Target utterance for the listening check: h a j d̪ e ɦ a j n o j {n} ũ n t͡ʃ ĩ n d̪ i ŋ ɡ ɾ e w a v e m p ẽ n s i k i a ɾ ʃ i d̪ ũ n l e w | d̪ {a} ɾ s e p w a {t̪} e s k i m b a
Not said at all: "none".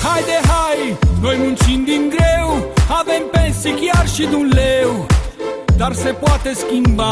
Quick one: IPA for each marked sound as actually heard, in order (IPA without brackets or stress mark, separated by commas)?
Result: m, a, t̪